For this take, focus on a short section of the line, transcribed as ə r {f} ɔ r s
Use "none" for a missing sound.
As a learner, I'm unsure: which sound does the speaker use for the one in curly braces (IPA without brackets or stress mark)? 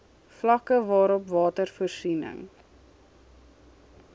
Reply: f